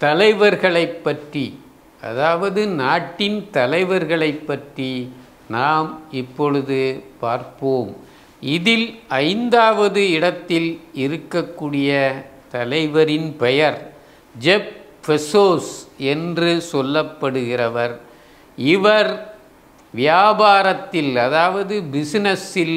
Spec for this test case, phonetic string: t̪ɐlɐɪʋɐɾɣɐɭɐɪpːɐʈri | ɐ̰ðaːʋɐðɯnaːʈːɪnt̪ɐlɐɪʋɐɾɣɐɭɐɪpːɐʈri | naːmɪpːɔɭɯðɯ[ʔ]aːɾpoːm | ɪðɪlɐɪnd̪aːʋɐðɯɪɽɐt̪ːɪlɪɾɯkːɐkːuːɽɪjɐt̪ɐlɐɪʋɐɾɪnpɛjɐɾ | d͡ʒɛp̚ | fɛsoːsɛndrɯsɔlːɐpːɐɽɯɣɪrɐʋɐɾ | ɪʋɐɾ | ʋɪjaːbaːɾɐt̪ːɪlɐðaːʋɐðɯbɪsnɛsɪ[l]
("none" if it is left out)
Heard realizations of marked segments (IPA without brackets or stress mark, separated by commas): p, l